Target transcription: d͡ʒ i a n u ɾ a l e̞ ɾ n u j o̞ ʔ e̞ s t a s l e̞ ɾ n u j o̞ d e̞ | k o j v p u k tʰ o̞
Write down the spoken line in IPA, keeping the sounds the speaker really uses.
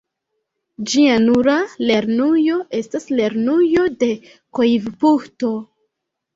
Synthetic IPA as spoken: d͡ʒ i a n u ɾ a l e̞ ɾ n u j o̞ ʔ e̞ s t a s l e̞ ɾ n u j o̞ d e̞ | k o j v p u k t o̞